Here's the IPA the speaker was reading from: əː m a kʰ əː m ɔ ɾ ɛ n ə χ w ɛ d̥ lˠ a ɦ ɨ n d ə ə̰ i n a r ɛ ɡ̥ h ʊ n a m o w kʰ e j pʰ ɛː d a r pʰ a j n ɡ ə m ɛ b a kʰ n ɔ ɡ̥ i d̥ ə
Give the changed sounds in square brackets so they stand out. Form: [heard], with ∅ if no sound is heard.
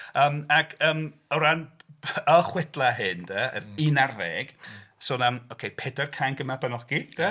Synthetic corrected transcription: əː m a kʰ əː m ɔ ɾ [a] n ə χ w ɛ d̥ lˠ a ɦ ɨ n d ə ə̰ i n a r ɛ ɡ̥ [s] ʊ n a m o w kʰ e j pʰ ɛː d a r [kʰ] a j n ɡ ə m [a] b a [∅] n ɔ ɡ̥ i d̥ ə